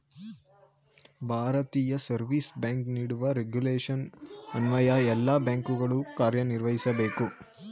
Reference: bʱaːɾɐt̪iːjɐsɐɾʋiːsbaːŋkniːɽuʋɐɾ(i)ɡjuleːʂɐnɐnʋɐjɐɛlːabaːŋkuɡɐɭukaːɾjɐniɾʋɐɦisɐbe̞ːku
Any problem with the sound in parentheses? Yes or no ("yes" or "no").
yes